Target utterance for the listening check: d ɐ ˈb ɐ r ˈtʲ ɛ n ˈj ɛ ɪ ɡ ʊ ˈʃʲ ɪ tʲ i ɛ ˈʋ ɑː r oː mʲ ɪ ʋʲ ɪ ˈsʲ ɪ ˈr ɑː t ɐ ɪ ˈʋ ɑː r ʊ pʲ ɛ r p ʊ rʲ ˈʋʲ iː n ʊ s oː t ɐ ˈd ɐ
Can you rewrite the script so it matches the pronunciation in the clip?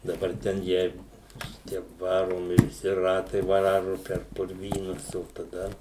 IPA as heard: d ɐ ˈb ɐ r ˈtʲ ɛ n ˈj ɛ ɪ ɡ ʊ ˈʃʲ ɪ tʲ i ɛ ˈʋ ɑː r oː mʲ ɪ ʋʲ ɪ ˈsʲ ɪ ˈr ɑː t ɐ ɪ ˈʋ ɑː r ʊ pʲ ɛ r p ʊ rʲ ˈʋʲ iː n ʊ s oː t ɐ ˈd ɐ